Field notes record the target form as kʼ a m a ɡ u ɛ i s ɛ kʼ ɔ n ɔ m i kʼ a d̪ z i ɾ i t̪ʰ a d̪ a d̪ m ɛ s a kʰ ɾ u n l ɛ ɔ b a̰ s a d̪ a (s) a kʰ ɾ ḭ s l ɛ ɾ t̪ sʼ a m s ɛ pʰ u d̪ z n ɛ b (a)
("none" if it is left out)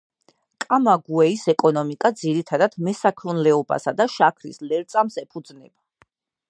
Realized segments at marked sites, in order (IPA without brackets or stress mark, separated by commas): ʃ, a